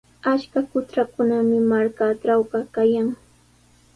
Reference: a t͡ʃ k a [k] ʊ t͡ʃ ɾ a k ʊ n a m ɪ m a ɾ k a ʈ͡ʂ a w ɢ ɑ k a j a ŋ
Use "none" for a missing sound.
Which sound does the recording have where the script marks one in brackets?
k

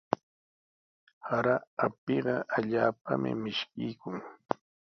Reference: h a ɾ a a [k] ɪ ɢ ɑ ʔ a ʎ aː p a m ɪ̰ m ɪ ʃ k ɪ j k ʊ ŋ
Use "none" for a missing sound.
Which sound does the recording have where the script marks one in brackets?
p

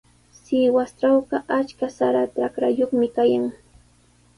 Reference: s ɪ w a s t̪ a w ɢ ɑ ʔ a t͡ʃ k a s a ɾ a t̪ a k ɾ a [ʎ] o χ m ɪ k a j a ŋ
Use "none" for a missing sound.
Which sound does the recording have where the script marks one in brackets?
j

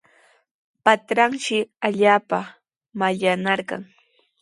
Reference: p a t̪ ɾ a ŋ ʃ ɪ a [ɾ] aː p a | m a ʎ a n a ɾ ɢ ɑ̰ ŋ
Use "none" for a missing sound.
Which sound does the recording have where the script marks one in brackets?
ʎ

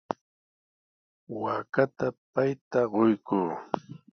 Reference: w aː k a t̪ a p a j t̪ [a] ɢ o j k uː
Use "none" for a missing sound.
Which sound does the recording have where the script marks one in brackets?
a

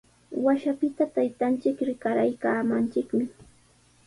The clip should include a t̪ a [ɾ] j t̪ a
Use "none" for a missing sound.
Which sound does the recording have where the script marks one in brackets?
none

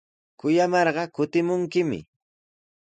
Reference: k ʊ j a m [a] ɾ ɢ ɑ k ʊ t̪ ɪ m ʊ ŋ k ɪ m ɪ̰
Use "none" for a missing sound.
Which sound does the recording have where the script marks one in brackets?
ɑ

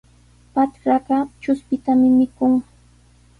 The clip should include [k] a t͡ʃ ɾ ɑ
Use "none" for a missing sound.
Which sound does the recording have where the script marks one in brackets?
p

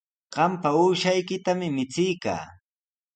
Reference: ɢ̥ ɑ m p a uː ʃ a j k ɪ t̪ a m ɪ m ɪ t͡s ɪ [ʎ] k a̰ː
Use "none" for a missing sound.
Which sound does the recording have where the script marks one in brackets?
j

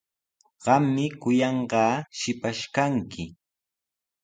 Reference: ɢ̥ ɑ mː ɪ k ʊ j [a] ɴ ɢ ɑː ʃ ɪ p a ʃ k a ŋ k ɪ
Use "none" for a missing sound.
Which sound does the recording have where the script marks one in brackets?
ɑ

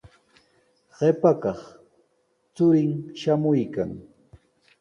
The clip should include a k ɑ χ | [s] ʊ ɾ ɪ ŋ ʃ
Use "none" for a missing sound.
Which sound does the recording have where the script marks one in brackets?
t͡s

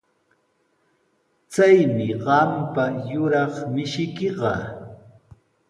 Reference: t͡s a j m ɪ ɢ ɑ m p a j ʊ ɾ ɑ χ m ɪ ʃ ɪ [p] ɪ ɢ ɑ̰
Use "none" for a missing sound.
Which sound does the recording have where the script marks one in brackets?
k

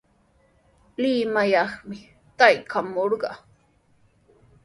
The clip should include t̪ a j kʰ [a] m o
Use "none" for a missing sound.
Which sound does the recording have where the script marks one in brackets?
a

